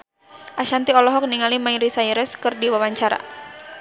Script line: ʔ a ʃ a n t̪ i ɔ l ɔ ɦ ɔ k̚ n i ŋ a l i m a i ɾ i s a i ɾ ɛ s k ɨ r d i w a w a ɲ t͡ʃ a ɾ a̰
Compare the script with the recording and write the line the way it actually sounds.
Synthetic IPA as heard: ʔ a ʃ a n t̪ i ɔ l ɔ ɦ ɔ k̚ n i ŋ a l i m a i ɾ i s a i ɾ ɛ s k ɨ r d i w a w a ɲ t͡ʃ a ɾ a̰